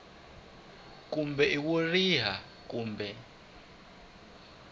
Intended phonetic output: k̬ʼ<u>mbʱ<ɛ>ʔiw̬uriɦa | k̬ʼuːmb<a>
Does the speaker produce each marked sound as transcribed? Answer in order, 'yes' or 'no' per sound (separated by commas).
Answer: yes, yes, no